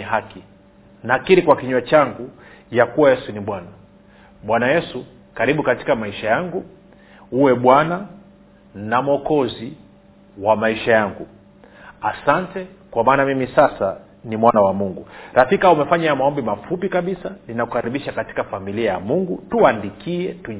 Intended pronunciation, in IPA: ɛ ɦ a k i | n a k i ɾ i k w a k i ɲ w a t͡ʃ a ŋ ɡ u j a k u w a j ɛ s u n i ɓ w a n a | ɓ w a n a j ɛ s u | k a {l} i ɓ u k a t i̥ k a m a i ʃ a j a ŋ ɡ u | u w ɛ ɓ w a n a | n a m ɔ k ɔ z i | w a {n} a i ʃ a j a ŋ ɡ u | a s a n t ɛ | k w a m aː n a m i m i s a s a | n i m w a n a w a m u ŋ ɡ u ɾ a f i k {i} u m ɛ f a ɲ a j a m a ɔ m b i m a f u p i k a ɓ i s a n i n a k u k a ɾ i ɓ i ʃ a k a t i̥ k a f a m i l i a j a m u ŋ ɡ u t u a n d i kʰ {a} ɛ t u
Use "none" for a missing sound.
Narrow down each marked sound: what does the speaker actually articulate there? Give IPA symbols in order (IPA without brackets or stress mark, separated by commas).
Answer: ɾ, m, a, i